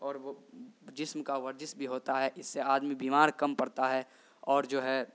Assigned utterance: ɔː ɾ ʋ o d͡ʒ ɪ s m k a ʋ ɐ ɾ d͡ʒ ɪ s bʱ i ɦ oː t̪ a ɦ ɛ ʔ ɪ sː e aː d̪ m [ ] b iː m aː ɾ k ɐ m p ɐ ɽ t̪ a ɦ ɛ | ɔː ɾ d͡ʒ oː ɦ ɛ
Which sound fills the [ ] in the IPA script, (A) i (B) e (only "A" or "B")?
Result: A